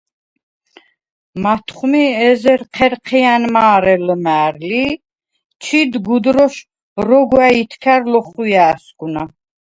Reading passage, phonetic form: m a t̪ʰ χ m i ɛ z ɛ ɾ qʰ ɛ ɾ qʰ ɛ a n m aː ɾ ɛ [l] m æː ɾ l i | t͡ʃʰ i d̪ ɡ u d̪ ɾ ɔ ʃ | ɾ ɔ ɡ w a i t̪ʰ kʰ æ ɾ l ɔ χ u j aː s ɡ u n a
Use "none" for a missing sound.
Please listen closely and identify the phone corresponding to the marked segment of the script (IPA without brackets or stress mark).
l